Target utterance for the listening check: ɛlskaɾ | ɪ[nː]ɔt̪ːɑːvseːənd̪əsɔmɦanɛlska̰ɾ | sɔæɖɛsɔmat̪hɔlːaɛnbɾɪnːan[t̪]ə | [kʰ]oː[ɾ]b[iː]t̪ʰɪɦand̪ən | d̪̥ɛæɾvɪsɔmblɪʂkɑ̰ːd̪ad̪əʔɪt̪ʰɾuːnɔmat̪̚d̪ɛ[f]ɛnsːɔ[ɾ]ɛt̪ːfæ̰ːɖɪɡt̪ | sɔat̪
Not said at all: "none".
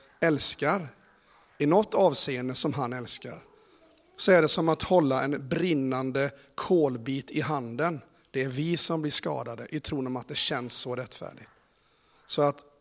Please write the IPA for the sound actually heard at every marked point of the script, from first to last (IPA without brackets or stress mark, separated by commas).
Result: n, d̪, kʰ, l, iː, ɕ, ɾ